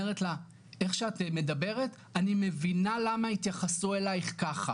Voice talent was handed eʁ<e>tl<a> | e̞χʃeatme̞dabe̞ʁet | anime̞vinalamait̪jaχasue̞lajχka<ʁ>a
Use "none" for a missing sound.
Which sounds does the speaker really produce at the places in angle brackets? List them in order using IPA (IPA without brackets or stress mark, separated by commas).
e, a, χ